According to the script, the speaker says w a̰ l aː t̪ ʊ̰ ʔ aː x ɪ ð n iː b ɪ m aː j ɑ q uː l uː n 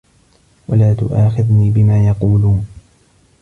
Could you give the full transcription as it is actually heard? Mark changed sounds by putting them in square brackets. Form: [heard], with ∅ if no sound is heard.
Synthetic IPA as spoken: w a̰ l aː t̪ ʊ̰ ʔ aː x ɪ ð n iː b ɪ m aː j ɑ q uː l uː n